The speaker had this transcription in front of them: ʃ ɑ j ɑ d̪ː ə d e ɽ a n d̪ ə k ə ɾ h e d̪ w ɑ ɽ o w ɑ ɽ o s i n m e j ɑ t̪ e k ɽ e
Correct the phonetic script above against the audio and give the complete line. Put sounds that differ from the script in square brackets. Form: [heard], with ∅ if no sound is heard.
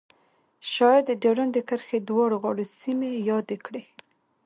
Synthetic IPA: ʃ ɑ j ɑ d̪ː ə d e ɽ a n d̪ ə k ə ɾ [x] e d̪ w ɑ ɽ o [ɣ] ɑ ɽ o s i [∅] m e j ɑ [d̪] e k ɽ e